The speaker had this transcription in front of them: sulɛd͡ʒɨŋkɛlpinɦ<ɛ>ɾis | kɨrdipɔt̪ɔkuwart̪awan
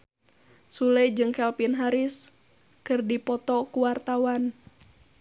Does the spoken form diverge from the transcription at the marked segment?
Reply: yes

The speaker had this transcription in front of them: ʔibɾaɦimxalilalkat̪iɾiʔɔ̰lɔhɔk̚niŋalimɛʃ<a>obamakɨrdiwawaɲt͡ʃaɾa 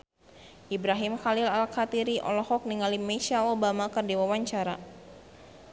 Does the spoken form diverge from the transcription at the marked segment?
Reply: no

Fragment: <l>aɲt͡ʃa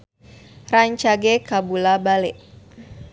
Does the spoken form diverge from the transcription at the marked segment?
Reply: yes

